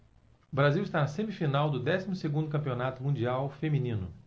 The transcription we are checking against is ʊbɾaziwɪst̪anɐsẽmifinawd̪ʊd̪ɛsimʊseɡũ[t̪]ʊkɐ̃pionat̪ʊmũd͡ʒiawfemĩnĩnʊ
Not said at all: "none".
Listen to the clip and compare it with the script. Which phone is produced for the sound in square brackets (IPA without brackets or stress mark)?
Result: d̪